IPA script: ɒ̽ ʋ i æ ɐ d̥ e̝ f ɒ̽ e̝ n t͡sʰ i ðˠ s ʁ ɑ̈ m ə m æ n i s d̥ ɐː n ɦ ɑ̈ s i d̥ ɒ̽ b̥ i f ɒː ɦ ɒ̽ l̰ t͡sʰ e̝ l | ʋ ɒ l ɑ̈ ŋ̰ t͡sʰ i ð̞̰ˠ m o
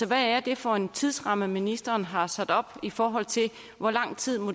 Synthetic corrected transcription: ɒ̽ ʋ æ æ ɐ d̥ e̝ f ɒ̽ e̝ n t͡sʰ i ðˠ s ʁ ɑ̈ m ə m i n i s d̥ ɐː n ɦ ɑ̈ s æ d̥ ɒ̽ b̥ i f ɒː ɦ ɒ̽ l̰ t͡sʰ e̝ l | ʋ ɒ l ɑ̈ ŋ̰ t͡sʰ i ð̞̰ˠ m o